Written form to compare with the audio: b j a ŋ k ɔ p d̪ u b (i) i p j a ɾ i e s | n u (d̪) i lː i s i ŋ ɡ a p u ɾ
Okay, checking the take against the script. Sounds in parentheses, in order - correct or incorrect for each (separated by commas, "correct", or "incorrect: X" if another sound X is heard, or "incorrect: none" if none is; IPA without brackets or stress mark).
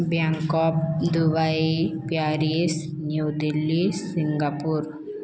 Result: incorrect: a, correct